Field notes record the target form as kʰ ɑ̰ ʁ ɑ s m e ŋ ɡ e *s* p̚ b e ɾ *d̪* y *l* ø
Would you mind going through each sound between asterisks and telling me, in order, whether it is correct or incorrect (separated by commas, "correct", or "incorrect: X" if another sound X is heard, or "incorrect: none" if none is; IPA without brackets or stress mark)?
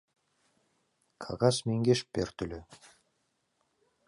incorrect: ʃ, incorrect: t̪, correct